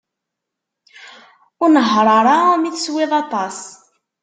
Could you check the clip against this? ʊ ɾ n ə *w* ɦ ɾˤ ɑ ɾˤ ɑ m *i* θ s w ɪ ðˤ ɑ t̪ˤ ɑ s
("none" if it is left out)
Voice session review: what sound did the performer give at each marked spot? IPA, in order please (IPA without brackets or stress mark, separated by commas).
none, i